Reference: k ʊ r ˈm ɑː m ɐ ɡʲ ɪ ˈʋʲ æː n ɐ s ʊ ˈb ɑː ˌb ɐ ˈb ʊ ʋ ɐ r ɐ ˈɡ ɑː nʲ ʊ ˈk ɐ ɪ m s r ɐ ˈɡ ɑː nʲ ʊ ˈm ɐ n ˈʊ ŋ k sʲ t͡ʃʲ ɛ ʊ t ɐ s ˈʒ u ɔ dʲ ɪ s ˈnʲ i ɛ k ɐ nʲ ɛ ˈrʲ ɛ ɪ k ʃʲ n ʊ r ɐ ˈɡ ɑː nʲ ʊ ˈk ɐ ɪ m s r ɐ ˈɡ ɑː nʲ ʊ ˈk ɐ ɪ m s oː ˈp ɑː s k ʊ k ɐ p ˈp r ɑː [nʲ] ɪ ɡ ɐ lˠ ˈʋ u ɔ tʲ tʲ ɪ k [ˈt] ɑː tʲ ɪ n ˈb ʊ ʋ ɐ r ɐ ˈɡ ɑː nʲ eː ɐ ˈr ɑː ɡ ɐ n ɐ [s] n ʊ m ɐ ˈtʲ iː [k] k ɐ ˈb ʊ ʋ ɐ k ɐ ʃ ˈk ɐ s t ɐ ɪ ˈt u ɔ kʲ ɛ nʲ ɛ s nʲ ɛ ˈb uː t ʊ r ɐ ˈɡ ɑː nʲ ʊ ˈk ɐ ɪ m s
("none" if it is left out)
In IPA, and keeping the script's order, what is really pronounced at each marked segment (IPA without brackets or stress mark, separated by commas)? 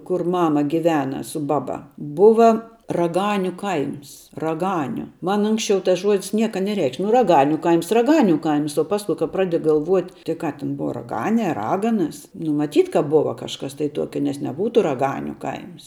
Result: dʲ, k, s, t